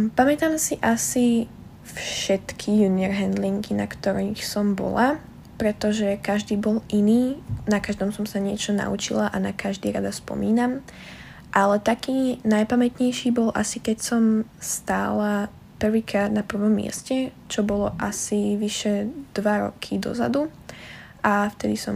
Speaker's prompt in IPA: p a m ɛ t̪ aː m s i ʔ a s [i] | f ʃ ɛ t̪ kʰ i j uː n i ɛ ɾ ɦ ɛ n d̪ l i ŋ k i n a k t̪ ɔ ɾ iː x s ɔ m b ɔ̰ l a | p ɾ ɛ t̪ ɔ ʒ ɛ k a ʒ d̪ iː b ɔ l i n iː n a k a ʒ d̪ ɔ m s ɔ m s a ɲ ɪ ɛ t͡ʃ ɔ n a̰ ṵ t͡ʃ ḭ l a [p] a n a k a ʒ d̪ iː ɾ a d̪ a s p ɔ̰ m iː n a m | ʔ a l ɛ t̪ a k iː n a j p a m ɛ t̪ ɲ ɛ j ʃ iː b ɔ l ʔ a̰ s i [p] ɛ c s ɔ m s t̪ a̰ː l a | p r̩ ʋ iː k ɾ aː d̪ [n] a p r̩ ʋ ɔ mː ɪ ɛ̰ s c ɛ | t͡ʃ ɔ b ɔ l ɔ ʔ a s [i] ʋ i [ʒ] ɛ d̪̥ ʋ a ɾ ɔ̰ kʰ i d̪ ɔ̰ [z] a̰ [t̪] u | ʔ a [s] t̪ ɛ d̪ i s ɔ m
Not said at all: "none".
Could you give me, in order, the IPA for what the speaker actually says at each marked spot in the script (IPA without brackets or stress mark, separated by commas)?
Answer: i, ʔ, k, n, i, ʃ, z, d̪, f